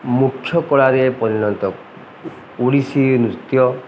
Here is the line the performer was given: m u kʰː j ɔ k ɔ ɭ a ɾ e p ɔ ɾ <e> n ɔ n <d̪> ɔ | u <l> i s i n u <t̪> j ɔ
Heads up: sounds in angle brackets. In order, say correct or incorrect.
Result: incorrect, incorrect, incorrect, correct

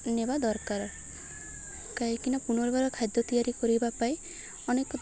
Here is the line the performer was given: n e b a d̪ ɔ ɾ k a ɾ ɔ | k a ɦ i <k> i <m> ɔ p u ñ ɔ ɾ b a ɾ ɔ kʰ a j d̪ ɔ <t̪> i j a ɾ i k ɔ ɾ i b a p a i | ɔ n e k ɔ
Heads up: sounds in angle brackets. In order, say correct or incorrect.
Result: correct, incorrect, correct

